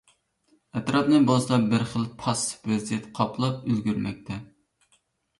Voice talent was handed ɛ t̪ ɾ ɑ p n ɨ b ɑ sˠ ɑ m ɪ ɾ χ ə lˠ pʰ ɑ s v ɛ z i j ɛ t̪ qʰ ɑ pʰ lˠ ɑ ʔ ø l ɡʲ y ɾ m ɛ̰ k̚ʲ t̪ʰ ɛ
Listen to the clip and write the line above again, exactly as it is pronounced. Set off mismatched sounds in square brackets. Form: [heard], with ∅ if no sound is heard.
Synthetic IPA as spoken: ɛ t̪ ɾ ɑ p n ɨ b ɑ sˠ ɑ [b] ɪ ɾ χ ə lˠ pʰ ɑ s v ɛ z i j ɛ t̪ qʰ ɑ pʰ lˠ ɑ [p] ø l ɡʲ y ɾ m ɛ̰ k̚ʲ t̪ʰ ɛ